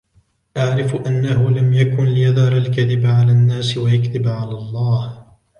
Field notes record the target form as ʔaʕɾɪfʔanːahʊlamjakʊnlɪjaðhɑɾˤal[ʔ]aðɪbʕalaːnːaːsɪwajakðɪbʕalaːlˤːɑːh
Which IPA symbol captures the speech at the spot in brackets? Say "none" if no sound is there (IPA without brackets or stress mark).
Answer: k